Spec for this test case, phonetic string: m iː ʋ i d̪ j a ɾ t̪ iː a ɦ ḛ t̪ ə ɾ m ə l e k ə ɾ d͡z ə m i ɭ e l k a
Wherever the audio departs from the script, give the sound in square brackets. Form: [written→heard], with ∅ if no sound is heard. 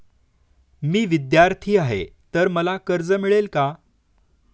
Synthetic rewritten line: m iː ʋ i d̪ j a ɾ [t̪→t̪ʰ] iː a ɦ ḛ t̪ ə ɾ m ə l [e→a] k ə ɾ d͡z ə m i ɭ e l k a